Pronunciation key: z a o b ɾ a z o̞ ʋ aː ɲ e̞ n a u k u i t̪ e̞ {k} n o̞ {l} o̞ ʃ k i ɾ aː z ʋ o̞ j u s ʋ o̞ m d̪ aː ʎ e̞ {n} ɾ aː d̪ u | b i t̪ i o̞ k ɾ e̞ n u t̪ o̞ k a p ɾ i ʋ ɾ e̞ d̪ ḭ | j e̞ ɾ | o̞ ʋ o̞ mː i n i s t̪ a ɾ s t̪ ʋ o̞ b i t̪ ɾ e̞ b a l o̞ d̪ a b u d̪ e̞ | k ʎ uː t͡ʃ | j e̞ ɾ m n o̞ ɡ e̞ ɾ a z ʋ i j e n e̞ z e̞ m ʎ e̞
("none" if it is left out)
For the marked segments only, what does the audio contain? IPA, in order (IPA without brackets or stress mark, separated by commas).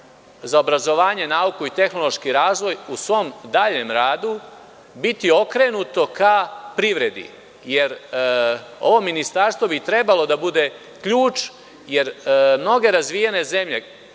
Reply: x, l, m